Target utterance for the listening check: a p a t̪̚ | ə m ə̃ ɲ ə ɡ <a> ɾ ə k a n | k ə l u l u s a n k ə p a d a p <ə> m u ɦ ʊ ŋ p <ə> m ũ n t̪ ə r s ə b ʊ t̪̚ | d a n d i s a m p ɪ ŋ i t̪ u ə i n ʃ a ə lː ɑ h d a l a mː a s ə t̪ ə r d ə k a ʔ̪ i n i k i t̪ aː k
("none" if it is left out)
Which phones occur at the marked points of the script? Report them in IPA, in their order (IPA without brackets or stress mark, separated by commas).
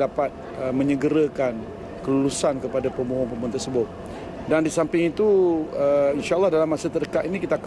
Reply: ə, ə, ə